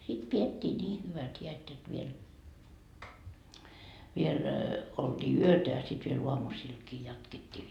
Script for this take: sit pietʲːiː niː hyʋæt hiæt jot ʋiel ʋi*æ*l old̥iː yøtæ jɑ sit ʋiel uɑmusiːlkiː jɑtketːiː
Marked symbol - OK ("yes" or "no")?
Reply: no